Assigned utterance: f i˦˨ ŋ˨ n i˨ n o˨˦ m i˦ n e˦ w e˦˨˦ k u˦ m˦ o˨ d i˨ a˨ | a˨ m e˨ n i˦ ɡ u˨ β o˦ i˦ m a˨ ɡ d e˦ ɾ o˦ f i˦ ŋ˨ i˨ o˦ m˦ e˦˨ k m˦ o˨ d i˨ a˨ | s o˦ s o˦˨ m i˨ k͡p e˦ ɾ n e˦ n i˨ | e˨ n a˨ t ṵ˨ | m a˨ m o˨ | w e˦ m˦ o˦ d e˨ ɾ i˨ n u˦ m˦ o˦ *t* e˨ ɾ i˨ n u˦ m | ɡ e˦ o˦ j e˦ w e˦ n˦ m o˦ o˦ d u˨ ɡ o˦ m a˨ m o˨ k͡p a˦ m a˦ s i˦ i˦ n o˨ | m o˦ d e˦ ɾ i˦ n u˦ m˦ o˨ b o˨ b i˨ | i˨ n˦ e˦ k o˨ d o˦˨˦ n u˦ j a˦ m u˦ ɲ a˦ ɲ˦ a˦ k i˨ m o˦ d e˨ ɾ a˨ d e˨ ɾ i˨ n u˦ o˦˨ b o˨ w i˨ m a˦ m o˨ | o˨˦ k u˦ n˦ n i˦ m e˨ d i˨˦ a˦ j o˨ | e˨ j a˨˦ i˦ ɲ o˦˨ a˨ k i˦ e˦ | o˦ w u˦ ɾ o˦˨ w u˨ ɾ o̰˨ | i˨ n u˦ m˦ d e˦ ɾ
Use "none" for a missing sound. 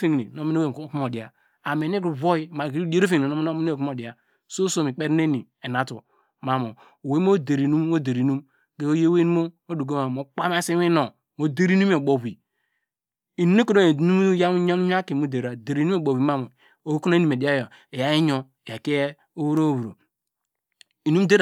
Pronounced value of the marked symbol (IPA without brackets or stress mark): d